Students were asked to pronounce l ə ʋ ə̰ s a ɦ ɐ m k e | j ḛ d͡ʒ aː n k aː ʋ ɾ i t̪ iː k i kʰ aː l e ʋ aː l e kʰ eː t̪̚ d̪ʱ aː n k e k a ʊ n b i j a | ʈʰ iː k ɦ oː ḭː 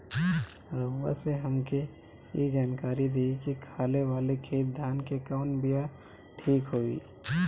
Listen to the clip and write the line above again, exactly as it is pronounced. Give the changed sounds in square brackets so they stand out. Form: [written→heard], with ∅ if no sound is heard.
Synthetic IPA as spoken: [l→ɾ] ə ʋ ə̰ s [a→e] ɦ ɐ m k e | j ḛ d͡ʒ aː n k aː [ʋ→∅] ɾ i [t̪→d̪] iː k i kʰ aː l e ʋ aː l e kʰ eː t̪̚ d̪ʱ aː n k e k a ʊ n b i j a | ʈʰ iː k ɦ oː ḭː